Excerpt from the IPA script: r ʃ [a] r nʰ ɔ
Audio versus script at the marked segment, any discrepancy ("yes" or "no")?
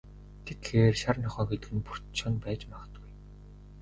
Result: no